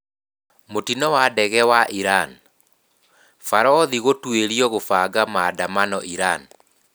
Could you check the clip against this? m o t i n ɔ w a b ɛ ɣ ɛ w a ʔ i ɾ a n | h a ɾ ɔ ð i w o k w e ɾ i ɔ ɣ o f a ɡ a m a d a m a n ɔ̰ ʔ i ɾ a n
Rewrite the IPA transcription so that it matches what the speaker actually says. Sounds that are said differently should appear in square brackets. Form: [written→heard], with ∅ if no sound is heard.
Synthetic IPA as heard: m o t i n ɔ w a [b→d] ɛ ɣ ɛ w a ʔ i ɾ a n | [h→f] a ɾ ɔ ð i [w→ɣ] o [k→t] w e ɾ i ɔ ɣ o f a ɡ a m a d a m a n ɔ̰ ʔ i ɾ a n